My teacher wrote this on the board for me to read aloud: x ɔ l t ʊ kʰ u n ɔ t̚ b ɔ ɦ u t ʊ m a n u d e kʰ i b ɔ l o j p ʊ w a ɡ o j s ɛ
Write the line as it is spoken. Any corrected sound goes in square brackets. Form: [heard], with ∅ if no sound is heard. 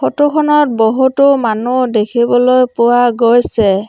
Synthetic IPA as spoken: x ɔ [∅] t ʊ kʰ [ɔ] n ɔ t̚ b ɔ ɦ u t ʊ m a n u d e kʰ i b ɔ l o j p ʊ w a ɡ o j s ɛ